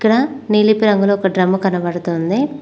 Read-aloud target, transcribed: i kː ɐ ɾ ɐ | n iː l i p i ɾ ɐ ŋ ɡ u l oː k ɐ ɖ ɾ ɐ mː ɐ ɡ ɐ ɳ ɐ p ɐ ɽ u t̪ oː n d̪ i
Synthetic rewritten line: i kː ɐ ɽ ɐ | n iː l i p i ɾ ɐ ŋ ɡ u l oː k ɐ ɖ ɾ ɐ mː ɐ k ɐ n ɐ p ɐ ɽ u t̪ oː n d̪ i